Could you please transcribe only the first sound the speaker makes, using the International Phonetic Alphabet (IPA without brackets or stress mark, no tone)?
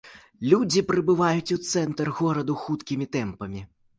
lʲ